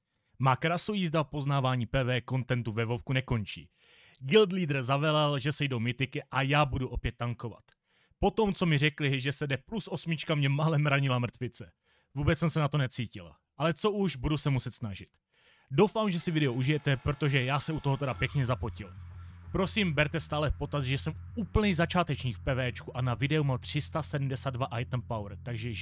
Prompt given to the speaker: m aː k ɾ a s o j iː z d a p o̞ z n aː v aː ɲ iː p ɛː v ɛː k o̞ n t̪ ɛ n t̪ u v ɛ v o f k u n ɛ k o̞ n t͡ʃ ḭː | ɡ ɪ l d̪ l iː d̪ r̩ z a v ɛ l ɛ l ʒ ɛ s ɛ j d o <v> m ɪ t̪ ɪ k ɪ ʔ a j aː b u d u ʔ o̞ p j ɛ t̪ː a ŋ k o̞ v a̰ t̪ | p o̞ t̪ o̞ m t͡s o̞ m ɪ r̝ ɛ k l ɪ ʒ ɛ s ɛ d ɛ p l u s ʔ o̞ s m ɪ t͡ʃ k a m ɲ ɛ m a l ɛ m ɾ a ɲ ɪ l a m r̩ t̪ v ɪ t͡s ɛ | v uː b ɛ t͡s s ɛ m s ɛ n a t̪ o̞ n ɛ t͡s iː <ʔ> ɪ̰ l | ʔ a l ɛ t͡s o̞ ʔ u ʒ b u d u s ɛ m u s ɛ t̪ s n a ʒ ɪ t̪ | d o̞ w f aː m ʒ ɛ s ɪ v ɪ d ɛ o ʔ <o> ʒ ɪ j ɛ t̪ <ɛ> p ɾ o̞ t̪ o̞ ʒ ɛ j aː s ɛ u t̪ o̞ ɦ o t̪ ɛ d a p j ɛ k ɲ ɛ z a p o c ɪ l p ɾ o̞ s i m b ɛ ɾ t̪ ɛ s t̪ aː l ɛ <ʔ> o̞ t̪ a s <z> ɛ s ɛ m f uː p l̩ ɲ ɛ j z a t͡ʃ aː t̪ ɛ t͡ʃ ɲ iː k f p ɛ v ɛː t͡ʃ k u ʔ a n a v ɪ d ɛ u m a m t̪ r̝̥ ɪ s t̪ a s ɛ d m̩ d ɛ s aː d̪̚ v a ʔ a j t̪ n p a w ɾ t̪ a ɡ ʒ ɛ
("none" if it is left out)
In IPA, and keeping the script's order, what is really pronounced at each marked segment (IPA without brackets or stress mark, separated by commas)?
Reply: w, c, u, ɛ, p, ʒ